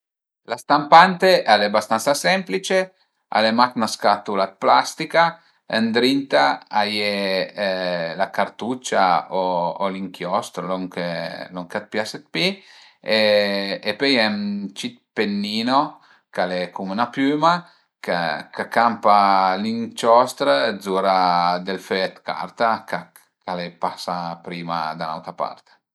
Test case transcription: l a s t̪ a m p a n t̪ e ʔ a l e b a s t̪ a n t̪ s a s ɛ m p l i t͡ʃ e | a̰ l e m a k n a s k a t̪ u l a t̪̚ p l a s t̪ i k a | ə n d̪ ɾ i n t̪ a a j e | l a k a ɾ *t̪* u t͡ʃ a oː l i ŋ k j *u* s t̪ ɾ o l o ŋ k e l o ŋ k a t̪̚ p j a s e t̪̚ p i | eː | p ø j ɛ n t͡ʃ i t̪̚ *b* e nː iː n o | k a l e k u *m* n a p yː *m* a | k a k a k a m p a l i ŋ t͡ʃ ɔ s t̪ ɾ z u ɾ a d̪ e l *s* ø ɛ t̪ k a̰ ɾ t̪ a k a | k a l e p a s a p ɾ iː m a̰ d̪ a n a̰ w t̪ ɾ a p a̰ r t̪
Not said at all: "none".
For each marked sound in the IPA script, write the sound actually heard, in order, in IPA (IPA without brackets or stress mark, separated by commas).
t̪, ɔ, p, m, m, f